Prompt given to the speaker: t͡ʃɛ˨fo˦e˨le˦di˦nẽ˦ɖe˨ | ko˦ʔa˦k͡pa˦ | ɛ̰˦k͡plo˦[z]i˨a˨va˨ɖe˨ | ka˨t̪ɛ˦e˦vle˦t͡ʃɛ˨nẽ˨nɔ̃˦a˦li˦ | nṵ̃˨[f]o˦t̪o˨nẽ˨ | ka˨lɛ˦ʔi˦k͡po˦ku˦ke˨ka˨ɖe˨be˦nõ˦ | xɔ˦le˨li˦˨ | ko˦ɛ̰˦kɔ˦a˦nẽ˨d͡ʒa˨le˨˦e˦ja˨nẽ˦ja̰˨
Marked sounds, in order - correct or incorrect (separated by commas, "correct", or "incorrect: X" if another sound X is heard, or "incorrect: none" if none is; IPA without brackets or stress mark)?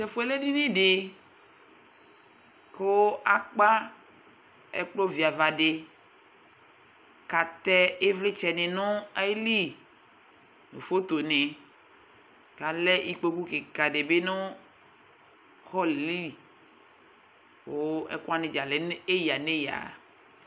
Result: incorrect: v, correct